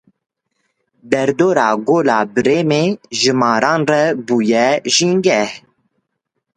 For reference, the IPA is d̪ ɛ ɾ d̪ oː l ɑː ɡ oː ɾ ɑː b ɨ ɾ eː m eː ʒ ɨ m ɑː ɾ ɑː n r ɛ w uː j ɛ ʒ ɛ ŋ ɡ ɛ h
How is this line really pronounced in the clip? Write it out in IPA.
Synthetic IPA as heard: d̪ ɛ ɾ d̪ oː ɾ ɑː ɡ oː l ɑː b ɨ ɾ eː m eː ʒ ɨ m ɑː ɾ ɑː n r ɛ b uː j ɛ ʒ i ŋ ɡ ɛ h